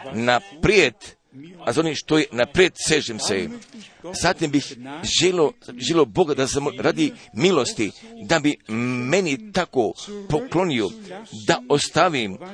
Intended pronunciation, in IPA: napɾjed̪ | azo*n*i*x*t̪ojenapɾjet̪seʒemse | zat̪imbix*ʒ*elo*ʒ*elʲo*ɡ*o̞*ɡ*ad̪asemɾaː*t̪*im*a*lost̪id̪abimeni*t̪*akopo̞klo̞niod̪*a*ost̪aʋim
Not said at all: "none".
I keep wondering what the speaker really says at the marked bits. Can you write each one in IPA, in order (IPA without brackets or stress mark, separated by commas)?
n, ʃ, ʒ, ʒ, b, ɡ, d̪, i, t̪, a